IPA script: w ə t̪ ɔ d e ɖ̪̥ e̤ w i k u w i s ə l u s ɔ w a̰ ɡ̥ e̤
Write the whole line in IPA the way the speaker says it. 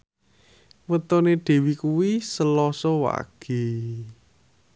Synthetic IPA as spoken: w ə t̪ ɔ n e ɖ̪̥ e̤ w i k u w i s ə l ɔ s ɔ w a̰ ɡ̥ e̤